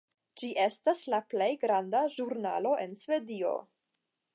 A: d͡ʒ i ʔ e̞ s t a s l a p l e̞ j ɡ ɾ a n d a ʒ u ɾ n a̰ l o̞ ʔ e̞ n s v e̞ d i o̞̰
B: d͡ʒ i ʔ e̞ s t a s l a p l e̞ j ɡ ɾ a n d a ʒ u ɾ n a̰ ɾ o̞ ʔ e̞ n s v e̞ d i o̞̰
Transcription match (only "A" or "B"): A